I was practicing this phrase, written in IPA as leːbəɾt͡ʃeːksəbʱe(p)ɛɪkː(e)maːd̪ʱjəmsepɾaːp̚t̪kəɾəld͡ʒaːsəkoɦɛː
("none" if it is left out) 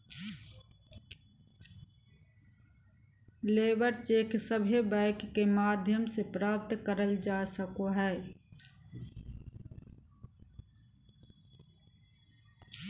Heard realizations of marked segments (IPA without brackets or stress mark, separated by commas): b, e